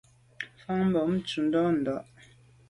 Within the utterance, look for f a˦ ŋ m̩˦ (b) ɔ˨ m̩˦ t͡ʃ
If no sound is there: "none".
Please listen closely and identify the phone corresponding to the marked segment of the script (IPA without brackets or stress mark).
b